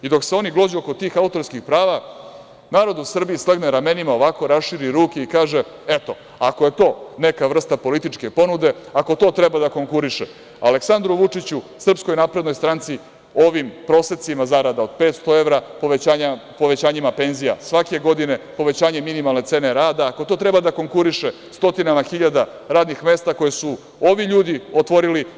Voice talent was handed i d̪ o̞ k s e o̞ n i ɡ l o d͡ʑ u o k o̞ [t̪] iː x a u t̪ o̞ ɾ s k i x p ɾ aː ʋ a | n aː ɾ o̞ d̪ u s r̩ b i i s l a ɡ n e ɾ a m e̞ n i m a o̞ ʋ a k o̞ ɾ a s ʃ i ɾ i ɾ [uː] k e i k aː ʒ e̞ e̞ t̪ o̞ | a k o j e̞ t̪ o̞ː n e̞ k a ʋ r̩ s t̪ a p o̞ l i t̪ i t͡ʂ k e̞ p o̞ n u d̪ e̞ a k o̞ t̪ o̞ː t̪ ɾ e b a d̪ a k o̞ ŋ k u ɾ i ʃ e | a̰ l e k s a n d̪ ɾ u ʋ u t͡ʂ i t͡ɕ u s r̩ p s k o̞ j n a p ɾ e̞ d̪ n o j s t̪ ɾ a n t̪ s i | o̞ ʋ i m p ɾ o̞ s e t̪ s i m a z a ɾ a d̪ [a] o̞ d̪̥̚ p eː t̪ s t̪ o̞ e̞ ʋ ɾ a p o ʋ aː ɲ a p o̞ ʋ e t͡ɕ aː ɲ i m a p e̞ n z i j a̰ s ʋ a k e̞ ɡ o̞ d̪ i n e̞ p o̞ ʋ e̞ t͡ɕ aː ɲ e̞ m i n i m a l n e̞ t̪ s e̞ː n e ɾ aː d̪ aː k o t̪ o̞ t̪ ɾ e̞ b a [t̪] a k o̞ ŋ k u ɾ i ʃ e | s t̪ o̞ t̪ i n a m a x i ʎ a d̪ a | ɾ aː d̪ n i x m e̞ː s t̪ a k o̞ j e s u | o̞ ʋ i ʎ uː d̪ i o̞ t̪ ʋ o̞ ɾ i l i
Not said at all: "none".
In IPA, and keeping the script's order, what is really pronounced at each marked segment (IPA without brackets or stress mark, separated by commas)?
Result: t̪, uː, a, d̪